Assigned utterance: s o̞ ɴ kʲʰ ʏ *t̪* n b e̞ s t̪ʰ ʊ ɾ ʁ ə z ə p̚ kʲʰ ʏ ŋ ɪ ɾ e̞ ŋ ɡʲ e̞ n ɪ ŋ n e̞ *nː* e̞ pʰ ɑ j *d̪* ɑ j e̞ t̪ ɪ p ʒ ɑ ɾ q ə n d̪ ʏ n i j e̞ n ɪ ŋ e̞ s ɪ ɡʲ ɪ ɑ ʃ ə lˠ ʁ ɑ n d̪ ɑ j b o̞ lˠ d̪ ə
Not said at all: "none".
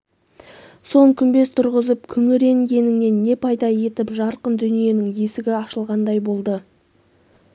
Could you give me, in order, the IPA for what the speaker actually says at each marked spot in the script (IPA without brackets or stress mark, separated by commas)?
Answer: none, nː, d̪